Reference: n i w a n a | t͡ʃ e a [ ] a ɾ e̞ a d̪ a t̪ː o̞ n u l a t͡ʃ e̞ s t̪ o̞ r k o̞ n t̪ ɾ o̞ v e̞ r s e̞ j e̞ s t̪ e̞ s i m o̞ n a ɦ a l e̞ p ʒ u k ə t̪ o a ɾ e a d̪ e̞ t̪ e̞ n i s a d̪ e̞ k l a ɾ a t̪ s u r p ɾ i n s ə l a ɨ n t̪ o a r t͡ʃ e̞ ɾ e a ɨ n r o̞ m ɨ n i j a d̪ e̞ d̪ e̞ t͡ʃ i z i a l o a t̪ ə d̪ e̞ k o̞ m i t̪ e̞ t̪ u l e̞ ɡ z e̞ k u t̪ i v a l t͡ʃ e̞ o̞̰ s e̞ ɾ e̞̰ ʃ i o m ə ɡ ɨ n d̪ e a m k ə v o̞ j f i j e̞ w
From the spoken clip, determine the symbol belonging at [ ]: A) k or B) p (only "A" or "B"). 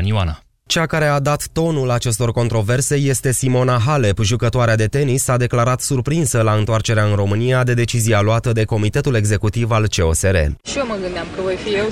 A